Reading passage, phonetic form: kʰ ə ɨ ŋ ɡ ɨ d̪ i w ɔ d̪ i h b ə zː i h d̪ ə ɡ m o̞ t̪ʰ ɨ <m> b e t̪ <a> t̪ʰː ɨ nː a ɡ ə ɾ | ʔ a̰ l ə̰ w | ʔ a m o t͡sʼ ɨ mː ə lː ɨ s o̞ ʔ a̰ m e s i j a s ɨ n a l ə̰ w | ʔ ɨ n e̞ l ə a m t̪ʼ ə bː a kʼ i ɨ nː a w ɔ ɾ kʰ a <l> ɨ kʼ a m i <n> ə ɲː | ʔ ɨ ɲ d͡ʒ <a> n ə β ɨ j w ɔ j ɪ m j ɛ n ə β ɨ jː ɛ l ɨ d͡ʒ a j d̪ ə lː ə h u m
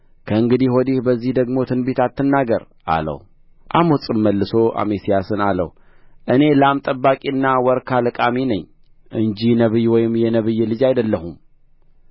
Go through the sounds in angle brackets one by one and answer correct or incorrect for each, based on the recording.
incorrect, correct, correct, correct, incorrect

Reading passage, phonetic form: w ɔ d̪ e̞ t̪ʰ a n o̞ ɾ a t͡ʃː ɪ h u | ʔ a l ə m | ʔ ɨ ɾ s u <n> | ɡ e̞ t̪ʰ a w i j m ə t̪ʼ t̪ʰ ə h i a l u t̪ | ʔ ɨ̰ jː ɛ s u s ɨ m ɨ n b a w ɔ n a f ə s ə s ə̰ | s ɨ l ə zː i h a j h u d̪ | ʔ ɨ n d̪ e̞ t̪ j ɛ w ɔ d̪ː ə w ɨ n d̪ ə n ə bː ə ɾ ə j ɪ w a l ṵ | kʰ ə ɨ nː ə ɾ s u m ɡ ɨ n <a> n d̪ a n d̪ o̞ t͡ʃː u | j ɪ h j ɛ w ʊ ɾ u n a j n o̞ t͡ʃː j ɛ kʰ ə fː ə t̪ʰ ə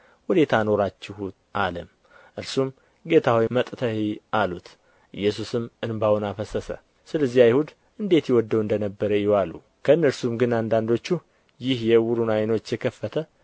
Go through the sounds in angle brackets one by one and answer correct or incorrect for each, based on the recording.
incorrect, correct

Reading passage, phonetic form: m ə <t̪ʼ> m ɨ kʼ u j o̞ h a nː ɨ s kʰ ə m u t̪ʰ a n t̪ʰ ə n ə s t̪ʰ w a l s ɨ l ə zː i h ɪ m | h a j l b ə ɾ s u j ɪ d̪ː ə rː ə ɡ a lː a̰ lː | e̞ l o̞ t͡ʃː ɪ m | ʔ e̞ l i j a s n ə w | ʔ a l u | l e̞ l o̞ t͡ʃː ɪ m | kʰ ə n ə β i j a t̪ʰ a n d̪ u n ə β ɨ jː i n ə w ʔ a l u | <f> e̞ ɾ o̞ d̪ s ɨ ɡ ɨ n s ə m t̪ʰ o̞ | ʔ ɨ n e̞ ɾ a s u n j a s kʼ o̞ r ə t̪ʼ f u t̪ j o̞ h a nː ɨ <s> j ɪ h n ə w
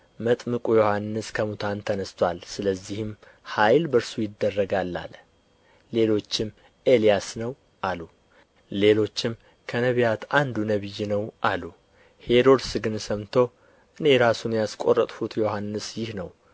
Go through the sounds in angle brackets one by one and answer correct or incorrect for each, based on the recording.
correct, incorrect, correct

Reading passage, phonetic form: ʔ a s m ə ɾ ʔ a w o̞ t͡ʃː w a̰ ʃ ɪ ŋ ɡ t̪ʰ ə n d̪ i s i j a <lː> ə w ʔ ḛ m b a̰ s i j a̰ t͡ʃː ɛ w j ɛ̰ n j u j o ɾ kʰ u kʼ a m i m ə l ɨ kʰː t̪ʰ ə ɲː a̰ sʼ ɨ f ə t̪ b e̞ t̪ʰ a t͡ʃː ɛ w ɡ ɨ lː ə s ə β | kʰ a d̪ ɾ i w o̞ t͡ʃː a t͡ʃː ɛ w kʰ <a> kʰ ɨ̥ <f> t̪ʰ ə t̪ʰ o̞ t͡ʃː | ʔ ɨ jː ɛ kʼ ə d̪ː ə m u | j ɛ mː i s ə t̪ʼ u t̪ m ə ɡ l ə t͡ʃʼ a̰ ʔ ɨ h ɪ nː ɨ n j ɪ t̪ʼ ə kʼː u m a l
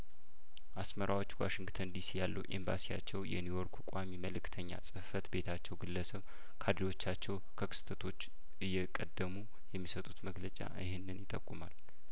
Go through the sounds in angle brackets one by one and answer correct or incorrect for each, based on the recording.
correct, incorrect, incorrect

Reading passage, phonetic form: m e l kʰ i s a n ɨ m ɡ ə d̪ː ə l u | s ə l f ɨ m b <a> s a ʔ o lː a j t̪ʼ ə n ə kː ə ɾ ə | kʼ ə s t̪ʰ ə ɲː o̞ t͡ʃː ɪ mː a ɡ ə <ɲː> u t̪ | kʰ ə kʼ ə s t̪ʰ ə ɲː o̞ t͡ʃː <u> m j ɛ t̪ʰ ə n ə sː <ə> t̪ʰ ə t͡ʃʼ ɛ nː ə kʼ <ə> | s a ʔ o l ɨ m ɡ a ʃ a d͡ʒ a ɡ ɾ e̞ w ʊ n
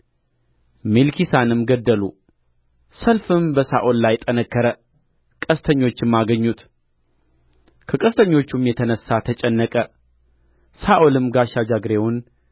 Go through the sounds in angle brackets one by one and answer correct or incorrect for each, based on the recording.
incorrect, correct, correct, incorrect, correct

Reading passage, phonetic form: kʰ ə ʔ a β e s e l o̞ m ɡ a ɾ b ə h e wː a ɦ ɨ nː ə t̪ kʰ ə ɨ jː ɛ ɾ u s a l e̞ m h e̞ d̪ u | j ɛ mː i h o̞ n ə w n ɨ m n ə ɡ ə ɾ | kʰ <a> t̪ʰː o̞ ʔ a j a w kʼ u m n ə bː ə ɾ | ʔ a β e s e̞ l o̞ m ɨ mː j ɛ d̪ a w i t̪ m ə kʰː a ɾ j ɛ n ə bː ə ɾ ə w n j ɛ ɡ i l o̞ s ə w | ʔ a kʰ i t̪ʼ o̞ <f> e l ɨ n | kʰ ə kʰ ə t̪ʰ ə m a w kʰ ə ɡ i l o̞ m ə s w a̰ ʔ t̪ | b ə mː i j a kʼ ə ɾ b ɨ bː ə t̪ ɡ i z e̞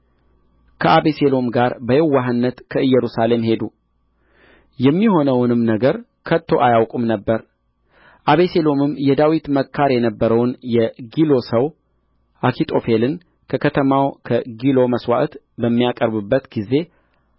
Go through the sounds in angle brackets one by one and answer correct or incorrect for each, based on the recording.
incorrect, correct

